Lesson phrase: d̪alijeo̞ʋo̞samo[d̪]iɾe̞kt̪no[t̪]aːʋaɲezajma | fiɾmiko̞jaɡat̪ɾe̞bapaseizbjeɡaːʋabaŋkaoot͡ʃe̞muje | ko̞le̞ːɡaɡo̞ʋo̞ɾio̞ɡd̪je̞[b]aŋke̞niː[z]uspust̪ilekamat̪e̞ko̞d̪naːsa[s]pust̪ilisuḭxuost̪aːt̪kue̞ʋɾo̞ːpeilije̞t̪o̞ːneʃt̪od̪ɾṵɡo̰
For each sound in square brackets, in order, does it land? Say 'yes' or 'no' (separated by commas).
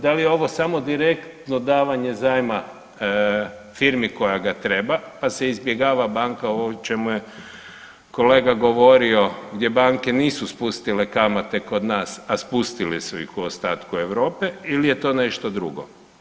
yes, no, yes, no, yes